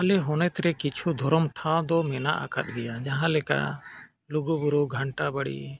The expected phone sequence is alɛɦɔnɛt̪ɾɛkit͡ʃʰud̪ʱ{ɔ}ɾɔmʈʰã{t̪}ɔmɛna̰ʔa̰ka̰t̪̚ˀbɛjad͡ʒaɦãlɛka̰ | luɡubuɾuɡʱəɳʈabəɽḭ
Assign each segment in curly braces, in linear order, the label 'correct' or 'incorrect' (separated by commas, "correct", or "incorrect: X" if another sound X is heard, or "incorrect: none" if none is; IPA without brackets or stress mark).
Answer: correct, incorrect: d̪